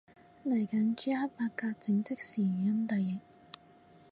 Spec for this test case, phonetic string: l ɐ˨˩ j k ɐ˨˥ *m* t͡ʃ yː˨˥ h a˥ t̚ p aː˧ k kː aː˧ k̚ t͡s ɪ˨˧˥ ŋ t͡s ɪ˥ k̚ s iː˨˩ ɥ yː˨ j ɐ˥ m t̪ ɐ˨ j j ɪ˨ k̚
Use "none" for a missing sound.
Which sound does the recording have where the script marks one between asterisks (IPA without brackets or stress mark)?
n